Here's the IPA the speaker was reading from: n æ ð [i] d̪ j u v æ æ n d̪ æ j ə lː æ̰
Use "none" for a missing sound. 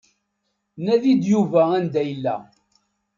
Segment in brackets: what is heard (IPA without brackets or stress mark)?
i